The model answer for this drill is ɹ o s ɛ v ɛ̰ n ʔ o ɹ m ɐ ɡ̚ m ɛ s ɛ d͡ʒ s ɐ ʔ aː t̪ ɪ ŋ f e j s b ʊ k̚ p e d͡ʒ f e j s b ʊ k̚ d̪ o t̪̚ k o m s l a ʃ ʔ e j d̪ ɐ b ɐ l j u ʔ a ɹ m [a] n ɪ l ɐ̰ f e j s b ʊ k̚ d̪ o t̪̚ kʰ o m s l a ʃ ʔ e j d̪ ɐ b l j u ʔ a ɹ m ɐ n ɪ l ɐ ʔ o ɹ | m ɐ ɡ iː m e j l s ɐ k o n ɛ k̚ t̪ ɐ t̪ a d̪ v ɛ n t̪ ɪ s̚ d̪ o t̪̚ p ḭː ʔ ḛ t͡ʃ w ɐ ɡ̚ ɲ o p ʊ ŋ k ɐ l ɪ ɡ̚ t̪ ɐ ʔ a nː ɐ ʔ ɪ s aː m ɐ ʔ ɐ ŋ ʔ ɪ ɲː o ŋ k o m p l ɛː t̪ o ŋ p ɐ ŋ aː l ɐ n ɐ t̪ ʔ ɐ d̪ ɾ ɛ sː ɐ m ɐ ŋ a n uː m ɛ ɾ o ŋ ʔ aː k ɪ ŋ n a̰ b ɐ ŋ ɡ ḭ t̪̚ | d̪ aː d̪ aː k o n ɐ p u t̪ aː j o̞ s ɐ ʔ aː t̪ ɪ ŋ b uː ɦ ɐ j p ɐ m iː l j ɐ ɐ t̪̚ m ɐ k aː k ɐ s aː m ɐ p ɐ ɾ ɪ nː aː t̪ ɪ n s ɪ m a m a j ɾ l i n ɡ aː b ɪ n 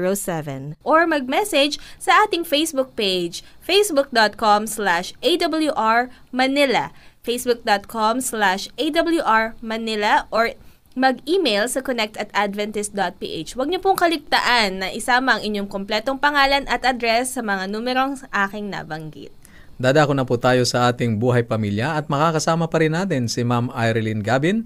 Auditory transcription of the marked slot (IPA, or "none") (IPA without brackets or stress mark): ɐ